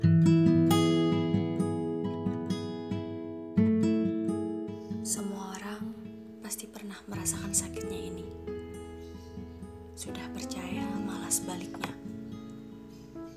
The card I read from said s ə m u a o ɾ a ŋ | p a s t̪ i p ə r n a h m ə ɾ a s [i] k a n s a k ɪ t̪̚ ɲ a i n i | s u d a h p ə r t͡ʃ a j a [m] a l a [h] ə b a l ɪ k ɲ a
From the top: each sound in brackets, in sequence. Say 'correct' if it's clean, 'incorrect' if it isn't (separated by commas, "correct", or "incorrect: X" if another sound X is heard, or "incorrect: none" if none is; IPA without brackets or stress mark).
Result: incorrect: a, correct, incorrect: s